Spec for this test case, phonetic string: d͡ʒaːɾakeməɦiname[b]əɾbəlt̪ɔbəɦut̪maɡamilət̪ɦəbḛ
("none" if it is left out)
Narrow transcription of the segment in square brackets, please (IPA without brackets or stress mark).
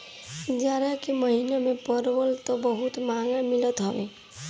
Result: p